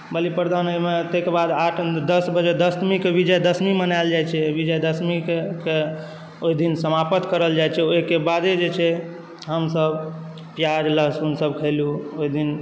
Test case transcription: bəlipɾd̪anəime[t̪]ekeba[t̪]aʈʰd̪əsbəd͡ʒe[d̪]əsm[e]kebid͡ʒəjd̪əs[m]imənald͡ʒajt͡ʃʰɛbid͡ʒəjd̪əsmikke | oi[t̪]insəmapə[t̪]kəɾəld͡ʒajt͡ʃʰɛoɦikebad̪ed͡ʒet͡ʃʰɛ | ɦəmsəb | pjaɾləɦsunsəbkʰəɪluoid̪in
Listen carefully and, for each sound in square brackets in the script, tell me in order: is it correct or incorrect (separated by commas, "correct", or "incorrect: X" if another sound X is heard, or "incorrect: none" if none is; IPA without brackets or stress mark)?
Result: correct, incorrect: d̪, correct, incorrect: i, correct, incorrect: d̪, correct